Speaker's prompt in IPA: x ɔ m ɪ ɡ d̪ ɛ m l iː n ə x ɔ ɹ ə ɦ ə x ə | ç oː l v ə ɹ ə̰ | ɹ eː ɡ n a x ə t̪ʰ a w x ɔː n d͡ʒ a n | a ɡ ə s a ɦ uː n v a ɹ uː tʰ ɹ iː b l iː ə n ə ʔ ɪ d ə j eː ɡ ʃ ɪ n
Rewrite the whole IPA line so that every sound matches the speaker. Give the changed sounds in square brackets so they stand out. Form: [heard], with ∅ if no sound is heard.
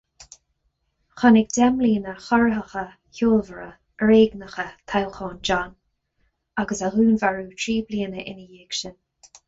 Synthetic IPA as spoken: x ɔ [n] ɪ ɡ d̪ ɛ m l iː n ə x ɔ ɹ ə ɦ ə x ə | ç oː l v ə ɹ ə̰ | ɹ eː ɡ n [ə] x ə t̪ʰ a w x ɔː n d͡ʒ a n | a ɡ ə s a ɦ uː n v a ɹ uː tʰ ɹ iː b l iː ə n ə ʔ ɪ [n] ə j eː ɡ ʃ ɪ n